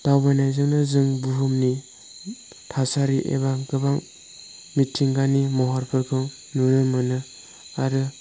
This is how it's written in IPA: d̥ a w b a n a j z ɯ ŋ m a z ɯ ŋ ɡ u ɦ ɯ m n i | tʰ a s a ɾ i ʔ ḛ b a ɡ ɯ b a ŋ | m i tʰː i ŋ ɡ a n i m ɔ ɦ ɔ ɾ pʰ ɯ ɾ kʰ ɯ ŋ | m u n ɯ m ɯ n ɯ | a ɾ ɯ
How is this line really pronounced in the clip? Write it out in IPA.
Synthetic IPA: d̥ a w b a n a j z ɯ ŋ n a z ɯ ŋ b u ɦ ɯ m n i | tʰ a s a ɾ i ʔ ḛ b a ɡ ɯ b a ŋ | m i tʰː i ŋ ɡ a n i m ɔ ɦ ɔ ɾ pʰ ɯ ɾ kʰ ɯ ŋ | n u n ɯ m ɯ n ɯ | a ɾ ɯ